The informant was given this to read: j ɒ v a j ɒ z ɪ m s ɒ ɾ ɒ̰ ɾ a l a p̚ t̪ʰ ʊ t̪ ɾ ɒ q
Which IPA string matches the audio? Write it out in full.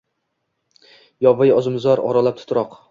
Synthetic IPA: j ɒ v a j ɒ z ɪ m z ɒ ɾ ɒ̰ ɾ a l a p̚ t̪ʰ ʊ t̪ ɾ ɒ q